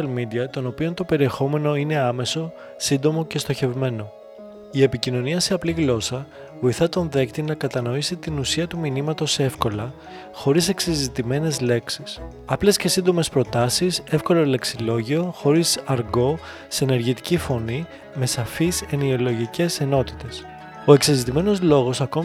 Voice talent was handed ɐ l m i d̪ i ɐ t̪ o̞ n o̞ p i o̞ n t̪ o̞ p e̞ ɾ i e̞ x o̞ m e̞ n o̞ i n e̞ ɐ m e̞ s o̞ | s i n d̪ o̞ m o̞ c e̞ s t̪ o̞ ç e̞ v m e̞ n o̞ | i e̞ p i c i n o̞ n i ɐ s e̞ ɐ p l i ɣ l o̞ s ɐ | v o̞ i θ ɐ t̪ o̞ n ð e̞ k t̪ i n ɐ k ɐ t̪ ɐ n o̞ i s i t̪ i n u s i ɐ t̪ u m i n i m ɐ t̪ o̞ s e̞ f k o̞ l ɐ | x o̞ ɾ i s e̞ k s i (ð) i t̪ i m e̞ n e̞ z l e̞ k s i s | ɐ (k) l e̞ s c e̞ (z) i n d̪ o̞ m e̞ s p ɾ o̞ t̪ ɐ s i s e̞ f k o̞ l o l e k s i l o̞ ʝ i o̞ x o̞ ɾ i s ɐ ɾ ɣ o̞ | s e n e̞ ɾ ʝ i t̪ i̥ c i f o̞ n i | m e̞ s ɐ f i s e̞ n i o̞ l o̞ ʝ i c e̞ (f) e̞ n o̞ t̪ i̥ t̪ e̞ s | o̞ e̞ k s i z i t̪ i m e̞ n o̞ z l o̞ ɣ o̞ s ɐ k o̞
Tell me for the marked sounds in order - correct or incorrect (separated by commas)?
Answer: incorrect, incorrect, incorrect, incorrect